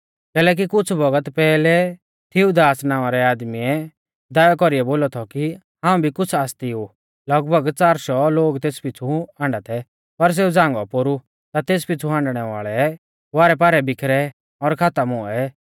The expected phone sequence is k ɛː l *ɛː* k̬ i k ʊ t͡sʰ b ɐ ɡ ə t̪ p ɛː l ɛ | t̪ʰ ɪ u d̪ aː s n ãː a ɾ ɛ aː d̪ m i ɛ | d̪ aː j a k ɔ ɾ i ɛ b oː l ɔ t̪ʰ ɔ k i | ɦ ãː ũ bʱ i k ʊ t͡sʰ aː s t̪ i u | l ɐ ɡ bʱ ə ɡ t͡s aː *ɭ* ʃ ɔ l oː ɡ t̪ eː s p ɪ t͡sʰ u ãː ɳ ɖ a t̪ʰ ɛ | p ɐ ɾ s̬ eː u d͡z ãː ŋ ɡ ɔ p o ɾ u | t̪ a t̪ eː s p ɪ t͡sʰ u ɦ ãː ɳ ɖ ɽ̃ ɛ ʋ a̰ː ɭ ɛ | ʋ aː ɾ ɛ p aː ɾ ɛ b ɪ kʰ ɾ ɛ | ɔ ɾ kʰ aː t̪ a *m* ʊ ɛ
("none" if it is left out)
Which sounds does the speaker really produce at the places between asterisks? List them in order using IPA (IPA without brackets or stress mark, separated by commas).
ɛː, ɾ, m